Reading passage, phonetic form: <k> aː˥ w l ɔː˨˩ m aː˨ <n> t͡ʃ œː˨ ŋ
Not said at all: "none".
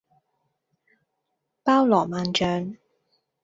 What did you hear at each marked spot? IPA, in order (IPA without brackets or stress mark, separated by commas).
p, n